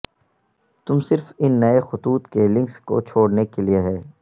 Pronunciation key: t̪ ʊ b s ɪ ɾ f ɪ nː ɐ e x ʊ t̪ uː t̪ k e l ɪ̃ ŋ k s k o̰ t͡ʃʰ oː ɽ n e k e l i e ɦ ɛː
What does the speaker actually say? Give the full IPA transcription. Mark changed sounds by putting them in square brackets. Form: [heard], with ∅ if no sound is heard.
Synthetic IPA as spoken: t̪ ʊ [m] s ɪ ɾ f ɪ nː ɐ e x ʊ t̪ uː t̪ k e l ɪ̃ ŋ k s k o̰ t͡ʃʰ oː ɽ n e k e l i e ɦ ɛː